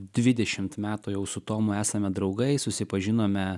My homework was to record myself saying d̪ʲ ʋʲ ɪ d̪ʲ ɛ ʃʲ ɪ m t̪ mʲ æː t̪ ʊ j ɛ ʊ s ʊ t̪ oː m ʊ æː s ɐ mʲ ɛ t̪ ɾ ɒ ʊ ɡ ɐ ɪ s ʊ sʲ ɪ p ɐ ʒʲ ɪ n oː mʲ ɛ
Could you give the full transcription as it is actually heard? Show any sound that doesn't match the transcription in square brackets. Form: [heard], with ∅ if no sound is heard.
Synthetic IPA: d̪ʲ ʋʲ ɪ d̪ʲ ɛ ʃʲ ɪ m t̪ mʲ æː t̪ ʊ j ɛ ʊ s ʊ t̪ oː m ʊ æː s ɐ mʲ ɛ [d̪] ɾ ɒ ʊ ɡ ɐ ɪ s ʊ sʲ ɪ p ɐ ʒʲ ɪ n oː mʲ ɛ

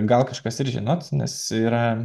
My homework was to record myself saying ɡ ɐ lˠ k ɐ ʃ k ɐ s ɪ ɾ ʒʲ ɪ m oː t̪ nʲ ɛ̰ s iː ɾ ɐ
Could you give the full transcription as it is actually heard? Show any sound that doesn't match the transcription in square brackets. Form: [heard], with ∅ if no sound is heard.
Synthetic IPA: ɡ ɐ lˠ k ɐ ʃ k ɐ s ɪ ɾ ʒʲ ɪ [n] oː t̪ nʲ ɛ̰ s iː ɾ ɐ

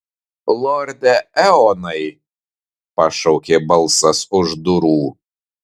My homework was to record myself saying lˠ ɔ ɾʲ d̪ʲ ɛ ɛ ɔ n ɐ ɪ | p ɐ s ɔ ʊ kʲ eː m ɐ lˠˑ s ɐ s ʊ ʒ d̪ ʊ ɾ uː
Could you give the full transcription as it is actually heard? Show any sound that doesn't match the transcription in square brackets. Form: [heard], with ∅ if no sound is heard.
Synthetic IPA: lˠ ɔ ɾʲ d̪ʲ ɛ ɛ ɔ n ɐ ɪ | p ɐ [ʃ] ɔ ʊ kʲ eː [b] ɐ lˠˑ s ɐ s ʊ ʒ d̪ ʊ ɾ uː

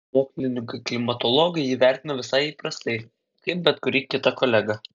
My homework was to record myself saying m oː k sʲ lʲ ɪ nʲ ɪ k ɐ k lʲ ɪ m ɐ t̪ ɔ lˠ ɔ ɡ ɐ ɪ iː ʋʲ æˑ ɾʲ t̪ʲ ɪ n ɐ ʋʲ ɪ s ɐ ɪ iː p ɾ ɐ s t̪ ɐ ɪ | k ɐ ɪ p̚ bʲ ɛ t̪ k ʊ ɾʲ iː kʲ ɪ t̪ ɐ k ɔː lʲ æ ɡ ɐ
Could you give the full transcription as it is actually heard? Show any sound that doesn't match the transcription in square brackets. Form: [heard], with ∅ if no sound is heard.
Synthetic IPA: m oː k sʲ lʲ ɪ nʲ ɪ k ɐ k lʲ ɪ m ɐ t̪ ɔ lˠ ɔ ɡ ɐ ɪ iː ʋʲ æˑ ɾʲ t̪ʲ ɪ n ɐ ʋʲ ɪ s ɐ ɪ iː p ɾ ɐ s t̪ ɐ ɪ | k ɐ ɪ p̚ bʲ ɛ t̪ k ʊ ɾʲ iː kʲ ɪ t̪ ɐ k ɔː lʲ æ ɡ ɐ

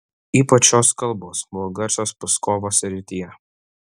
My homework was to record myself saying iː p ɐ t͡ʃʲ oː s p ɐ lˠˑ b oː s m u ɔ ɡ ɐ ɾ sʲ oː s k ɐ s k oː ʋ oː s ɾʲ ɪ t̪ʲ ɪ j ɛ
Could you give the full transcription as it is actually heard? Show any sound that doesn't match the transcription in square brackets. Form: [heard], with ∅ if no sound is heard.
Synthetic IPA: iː p ɐ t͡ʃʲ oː s [k] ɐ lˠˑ b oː s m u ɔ ɡ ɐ ɾ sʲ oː s [p] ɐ s k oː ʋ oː s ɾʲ ɪ t̪ʲ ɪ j ɛ

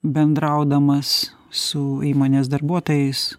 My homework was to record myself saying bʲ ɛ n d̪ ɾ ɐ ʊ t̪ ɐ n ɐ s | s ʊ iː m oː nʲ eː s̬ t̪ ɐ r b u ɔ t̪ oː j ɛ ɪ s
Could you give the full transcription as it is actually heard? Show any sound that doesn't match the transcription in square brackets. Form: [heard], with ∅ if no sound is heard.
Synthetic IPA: bʲ ɛ n d̪ ɾ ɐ ʊ [d̪] ɐ [m] ɐ s | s ʊ iː m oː nʲ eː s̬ [d̪] ɐ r b u ɔ t̪ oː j ɛ ɪ s

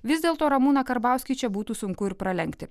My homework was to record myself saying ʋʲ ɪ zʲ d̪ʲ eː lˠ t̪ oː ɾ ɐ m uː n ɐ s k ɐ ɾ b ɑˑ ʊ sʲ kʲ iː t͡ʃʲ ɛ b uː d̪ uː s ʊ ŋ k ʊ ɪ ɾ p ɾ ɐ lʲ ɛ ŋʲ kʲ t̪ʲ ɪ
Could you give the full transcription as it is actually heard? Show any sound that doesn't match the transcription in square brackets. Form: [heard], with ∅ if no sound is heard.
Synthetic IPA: ʋʲ ɪ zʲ d̪ʲ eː lˠ t̪ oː ɾ ɐ m uː n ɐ [∅] k ɐ ɾ b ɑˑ ʊ sʲ kʲ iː t͡ʃʲ ɛ b uː [t̪] uː s ʊ ŋ k ʊ ɪ ɾ p ɾ ɐ lʲ ɛ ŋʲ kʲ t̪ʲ ɪ

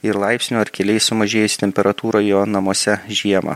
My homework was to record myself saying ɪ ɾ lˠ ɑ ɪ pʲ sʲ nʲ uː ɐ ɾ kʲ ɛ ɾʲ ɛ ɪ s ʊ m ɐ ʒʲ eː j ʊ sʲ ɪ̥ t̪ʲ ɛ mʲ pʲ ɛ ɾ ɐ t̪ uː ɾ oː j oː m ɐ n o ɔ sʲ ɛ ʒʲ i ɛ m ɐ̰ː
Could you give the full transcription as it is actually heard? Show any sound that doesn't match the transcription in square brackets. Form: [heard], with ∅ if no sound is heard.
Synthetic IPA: ɪ ɾ lˠ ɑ ɪ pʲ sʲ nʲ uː ɐ ɾ kʲ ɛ [lʲ] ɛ ɪ s ʊ m ɐ ʒʲ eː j ʊ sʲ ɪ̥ t̪ʲ ɛ mʲ pʲ ɛ ɾ ɐ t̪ uː ɾ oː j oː [n] ɐ [m] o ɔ sʲ ɛ ʒʲ i ɛ m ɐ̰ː

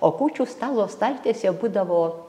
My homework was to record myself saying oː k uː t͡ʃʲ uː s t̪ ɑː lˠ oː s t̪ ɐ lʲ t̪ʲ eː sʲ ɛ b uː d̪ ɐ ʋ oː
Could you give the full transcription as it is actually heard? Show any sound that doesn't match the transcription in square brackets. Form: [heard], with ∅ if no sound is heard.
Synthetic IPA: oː k uː t͡ʃʲ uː s t̪ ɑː lˠ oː s t̪ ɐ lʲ t̪ʲ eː sʲ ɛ b uː d̪ ɐ ʋ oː

